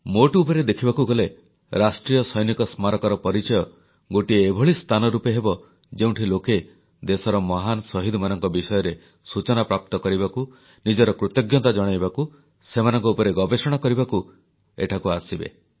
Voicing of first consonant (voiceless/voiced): voiced